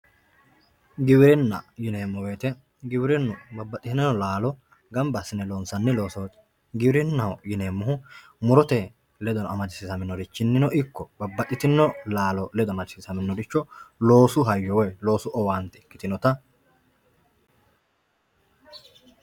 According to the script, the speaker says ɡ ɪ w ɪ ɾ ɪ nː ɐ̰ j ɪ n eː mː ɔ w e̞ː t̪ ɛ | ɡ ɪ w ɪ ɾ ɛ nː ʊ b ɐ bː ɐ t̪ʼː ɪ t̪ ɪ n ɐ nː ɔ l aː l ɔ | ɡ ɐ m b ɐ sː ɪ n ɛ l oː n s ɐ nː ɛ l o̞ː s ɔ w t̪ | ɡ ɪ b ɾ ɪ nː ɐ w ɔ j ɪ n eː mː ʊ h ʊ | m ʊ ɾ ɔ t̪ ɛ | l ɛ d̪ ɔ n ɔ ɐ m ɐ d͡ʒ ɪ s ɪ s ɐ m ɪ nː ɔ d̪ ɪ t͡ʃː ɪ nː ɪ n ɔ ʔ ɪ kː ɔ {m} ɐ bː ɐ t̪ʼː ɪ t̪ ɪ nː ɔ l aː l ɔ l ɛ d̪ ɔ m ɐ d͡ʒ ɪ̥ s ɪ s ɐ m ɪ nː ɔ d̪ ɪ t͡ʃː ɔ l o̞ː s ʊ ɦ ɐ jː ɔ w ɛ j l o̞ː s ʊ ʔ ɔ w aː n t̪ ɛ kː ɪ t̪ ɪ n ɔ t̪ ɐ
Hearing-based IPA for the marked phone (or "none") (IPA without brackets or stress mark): b